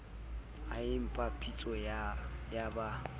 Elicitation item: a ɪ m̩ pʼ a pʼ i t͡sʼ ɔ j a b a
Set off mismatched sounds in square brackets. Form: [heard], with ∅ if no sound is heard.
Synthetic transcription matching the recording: a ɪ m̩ pʼ a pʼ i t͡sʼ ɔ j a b a